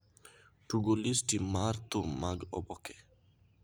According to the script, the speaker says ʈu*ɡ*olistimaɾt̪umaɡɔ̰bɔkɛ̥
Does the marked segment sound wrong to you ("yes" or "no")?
no